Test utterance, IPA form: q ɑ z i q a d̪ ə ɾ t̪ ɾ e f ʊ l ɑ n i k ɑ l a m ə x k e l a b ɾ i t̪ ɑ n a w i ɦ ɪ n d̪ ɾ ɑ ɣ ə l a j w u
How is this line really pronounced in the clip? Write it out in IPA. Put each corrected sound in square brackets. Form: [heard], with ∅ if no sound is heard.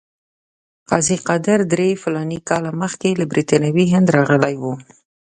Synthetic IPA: q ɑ z i q a d̪ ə ɾ [d̪] ɾ e f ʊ l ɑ n i k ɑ l a m ə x k e l a b ɾ i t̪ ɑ n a w i ɦ ɪ n d̪ ɾ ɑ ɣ ə l a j w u